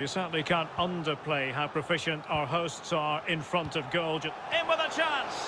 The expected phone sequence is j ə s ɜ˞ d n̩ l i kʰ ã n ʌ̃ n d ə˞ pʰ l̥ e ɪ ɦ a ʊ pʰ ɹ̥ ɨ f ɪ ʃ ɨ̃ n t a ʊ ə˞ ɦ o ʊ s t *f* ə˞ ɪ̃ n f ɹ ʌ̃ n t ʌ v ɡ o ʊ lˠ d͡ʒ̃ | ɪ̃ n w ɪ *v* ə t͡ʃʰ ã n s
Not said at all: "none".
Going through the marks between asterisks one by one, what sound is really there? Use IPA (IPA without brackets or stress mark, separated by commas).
s, ð